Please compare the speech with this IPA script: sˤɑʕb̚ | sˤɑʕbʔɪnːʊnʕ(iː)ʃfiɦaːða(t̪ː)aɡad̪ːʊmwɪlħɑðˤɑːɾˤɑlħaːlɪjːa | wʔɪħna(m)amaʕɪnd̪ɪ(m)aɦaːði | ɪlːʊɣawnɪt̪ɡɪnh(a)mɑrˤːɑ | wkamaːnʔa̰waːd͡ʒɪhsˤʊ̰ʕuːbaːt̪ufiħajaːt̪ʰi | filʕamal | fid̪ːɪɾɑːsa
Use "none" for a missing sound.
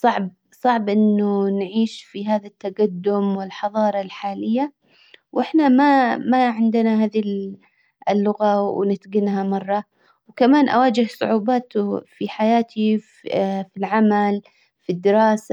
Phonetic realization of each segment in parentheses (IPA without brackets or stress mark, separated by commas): iː, t̪ː, m, n, a